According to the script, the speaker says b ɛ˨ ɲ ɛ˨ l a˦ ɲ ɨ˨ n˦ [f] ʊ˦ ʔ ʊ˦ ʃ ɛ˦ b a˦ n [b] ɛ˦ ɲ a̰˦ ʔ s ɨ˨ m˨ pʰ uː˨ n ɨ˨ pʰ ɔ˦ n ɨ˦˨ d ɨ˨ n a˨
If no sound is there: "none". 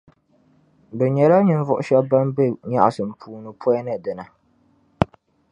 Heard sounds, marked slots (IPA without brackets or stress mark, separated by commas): v, b